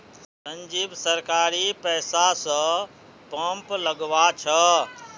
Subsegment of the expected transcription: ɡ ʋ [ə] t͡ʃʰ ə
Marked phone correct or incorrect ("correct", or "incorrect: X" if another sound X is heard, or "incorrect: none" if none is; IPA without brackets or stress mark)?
incorrect: a